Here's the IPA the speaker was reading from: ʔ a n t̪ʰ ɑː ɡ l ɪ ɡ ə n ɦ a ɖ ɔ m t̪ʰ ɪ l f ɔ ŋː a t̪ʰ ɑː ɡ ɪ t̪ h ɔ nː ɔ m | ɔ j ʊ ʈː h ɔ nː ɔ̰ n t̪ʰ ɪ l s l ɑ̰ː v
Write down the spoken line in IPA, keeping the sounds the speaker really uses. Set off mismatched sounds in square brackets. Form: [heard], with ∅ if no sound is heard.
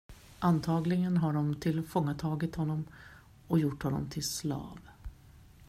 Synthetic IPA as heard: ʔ a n t̪ʰ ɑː ɡ l ɪ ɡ ə n ɦ a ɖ ɔ m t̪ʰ ɪ l f ɔ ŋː a t̪ʰ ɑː ɡ ɪ t̪ h ɔ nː ɔ m | ɔ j ʊ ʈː h ɔ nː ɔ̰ [m] t̪ʰ ɪ l s l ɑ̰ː v